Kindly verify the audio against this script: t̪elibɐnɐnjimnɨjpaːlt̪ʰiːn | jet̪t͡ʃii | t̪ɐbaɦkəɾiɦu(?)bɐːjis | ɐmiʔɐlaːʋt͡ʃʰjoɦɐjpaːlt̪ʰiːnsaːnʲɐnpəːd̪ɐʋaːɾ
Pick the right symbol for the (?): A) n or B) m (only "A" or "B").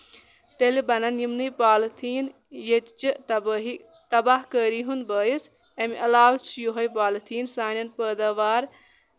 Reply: A